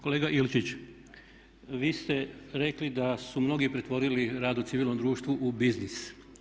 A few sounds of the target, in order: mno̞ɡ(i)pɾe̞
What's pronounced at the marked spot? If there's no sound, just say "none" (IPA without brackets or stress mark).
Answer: i